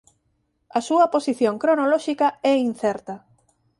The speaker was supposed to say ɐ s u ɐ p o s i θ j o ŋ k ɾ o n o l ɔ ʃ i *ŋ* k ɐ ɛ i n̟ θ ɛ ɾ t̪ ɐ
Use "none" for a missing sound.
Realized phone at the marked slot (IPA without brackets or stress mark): none